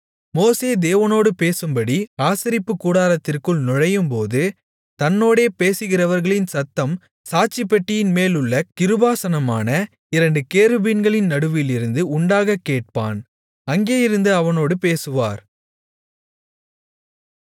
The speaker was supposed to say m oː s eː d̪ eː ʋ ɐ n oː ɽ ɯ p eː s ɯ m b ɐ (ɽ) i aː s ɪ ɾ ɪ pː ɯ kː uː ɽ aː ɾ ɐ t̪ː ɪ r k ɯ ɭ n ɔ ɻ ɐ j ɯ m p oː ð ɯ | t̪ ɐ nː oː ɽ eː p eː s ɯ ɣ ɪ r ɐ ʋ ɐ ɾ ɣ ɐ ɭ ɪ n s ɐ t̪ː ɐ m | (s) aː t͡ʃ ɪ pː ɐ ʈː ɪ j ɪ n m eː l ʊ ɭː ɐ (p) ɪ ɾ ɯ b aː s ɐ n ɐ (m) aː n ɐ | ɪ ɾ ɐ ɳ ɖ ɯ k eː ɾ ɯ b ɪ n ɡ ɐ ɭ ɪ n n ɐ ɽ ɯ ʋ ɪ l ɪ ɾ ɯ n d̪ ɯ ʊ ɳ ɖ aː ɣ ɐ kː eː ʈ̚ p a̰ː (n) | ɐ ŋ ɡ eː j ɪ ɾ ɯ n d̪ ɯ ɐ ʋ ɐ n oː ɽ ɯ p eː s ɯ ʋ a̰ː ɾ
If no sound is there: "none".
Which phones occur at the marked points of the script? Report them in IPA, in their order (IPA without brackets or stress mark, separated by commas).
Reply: ɽ, s, k, m, n